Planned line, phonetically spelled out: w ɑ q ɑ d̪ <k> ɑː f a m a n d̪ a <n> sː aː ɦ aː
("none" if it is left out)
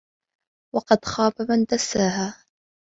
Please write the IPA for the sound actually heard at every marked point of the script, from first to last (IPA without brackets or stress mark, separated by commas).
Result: x, none